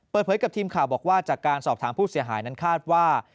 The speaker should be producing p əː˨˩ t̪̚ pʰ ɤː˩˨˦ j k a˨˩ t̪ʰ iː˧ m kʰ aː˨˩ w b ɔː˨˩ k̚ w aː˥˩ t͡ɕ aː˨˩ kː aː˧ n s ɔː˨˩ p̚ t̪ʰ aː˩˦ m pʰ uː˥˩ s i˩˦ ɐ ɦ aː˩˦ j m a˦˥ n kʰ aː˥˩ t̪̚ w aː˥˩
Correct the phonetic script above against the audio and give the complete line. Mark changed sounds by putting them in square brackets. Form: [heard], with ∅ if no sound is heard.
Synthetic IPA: p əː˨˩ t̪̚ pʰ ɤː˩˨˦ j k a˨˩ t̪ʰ iː˧ m kʰ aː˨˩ w b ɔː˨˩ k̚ w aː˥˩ t͡ɕ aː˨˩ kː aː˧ n s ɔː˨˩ p̚ t̪ʰ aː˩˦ m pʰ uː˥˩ s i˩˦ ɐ ɦ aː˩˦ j [n] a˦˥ n kʰ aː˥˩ t̪̚ w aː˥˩